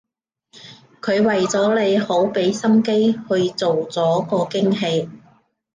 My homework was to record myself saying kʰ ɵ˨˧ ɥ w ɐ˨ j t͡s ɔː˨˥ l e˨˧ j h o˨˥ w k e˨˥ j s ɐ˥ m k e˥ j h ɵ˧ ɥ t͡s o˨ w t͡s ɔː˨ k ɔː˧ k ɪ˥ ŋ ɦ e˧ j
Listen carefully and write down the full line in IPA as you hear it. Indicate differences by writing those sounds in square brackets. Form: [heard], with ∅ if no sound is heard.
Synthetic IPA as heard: kʰ ɵ˨˧ ɥ w ɐ˨ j t͡s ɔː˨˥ l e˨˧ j h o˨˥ w [p] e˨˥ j s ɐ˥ m k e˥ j h ɵ˧ ɥ t͡s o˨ w t͡s [ɔː˨˥] k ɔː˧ k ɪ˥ ŋ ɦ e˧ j

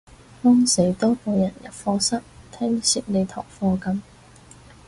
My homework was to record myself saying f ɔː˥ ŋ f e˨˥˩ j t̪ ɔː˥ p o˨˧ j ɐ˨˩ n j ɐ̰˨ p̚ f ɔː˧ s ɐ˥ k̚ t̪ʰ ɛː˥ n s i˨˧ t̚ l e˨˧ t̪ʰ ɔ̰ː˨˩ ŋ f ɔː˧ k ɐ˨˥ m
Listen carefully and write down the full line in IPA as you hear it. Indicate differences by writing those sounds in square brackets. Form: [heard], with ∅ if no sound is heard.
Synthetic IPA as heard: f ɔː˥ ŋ [s] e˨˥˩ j t̪ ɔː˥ p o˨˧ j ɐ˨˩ n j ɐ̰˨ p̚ f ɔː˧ s ɐ˥ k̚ t̪ʰ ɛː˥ [ŋ] s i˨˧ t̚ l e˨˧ t̪ʰ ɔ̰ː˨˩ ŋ f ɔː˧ k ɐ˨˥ m

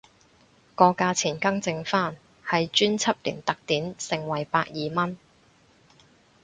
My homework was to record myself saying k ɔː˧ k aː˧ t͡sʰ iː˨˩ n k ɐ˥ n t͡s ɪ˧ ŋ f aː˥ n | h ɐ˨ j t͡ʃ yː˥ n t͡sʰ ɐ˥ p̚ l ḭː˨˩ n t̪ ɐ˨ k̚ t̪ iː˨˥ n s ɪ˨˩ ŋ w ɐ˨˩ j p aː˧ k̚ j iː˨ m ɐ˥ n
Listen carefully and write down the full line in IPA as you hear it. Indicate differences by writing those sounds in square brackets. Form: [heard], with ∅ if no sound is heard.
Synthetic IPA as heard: k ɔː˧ k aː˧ t͡sʰ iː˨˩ n k ɐ˥ [ŋ] t͡s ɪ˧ ŋ f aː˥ n | h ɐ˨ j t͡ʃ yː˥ n t͡sʰ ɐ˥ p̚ l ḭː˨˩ n t̪ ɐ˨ k̚ t̪ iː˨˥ n s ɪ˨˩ ŋ w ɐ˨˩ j p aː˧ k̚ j iː˨ m ɐ˥ n

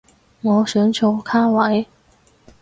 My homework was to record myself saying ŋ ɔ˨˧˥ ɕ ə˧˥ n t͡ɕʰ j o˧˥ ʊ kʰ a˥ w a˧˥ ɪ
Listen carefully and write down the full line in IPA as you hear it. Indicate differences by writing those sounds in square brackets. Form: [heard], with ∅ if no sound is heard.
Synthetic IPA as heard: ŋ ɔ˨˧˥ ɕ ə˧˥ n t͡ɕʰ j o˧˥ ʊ kʰ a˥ w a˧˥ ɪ

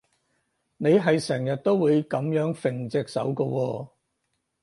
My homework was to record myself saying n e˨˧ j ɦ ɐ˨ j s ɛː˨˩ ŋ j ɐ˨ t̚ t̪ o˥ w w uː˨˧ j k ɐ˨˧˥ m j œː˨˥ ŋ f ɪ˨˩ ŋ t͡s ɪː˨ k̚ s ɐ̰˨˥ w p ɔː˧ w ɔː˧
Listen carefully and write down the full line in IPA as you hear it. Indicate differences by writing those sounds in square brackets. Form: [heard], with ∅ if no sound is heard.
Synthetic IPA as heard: n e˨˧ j ɦ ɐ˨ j s ɛː˨˩ ŋ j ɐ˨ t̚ t̪ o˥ w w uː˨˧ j k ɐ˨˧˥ m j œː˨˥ ŋ f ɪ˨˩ ŋ t͡s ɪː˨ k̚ s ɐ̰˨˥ w [k] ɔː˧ w ɔː˧

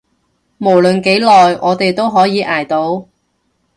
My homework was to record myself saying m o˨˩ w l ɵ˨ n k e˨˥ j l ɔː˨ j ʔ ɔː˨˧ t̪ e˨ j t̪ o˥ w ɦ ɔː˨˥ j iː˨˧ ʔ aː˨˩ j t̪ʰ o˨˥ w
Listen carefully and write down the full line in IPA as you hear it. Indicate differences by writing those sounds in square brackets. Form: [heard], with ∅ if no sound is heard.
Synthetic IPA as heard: m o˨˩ w l ɵ˨ n k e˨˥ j l ɔː˨ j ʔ ɔː˨˧ t̪ e˨ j t̪ o˥ w ɦ ɔː˨˥ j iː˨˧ ʔ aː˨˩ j [t̪] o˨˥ w

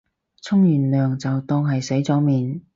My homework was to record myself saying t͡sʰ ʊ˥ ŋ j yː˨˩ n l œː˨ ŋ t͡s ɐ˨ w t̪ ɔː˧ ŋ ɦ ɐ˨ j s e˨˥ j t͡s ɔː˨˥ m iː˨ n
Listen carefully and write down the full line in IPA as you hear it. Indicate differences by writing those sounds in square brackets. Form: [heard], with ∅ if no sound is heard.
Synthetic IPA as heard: t͡sʰ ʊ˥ ŋ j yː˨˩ n l œː˨ ŋ t͡s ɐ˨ w t̪ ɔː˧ ŋ ɦ ɐ˨ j s e˨˥ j t͡s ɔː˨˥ m iː˨ n

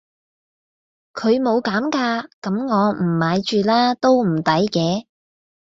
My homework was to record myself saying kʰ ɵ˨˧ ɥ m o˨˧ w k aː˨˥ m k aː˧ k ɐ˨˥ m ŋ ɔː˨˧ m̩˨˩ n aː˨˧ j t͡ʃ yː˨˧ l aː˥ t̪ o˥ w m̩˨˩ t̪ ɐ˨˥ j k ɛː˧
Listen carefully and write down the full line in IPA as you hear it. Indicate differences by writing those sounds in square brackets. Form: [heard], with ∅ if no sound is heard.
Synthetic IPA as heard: kʰ ɵ˨˧ ɥ m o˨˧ w k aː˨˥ m k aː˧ k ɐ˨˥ m ŋ ɔː˨˧ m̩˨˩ [m] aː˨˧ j t͡ʃ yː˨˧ l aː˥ t̪ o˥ w m̩˨˩ t̪ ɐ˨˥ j k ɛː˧

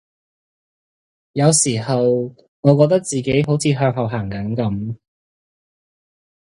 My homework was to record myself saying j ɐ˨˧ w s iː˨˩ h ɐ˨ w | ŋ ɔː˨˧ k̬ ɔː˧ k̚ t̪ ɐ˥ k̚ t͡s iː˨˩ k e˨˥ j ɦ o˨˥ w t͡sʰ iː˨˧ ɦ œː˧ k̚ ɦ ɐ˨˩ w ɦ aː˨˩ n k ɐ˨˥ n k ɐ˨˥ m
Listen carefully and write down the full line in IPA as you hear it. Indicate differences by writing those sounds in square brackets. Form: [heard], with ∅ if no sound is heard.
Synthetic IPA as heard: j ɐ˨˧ w s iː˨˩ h ɐ˨ w | ŋ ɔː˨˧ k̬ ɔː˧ k̚ t̪ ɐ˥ k̚ t͡s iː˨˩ k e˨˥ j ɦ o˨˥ w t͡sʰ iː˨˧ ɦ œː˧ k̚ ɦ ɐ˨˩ w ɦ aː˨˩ [ŋ] k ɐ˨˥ n k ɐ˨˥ m

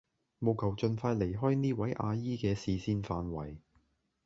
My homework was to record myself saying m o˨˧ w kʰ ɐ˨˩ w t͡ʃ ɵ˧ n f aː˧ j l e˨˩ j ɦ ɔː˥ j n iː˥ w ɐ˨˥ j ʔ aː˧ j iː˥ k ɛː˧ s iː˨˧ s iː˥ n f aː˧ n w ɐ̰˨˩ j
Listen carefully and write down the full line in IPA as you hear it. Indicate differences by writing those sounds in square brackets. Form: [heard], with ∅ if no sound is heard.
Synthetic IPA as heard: m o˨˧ w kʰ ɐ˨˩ w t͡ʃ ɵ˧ n f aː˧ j l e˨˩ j ɦ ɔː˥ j n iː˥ w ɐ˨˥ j ʔ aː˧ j iː˥ k ɛː˧ s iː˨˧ s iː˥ n f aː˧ n w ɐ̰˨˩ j

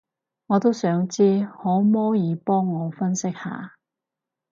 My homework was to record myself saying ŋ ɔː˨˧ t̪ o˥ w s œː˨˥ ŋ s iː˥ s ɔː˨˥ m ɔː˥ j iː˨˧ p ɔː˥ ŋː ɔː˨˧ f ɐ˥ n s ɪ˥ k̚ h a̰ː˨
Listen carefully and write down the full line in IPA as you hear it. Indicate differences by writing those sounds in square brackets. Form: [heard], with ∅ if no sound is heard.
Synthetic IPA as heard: ŋ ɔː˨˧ t̪ o˥ w s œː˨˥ ŋ [t͡s] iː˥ [h] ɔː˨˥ m ɔː˥ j iː˨˧ p ɔː˥ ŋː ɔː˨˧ f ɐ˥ n s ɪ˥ k̚ h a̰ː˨

